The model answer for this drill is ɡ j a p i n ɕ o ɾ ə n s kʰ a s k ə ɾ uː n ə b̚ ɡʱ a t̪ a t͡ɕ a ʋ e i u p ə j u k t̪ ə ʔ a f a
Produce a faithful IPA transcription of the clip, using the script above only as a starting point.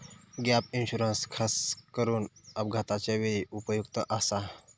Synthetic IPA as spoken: ɡ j a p i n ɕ u ɾ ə n s kʰ a s k ə ɾ uː n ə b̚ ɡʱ a t̪ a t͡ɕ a ʋ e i u p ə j u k t̪ ə ʔ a s a